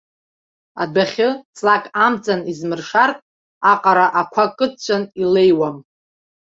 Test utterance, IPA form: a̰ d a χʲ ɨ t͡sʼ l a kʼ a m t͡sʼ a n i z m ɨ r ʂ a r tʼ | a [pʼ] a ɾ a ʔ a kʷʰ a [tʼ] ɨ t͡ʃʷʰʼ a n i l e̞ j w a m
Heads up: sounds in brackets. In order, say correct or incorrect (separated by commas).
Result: incorrect, incorrect